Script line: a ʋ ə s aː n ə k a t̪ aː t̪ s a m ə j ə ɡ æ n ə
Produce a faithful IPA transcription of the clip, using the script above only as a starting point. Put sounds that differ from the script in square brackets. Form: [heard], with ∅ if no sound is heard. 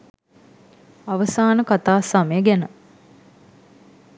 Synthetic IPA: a ʋ ə s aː n ə k a t̪ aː [∅] s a m ə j ə ɡ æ n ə